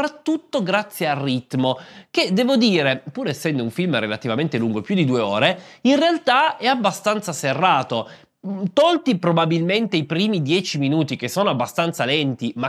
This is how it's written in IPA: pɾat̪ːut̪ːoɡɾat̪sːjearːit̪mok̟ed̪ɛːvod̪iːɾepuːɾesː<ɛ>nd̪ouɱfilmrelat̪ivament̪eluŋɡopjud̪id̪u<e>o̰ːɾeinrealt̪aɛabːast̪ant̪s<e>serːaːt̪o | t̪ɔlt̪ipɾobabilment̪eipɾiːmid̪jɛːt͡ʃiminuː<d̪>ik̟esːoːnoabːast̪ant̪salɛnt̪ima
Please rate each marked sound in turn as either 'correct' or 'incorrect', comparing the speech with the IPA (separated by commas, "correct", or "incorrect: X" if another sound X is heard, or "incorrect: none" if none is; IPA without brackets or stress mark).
correct, correct, incorrect: a, incorrect: t̪